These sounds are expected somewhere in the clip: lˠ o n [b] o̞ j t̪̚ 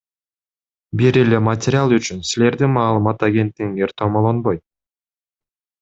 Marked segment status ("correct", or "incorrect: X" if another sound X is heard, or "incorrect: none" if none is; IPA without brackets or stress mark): correct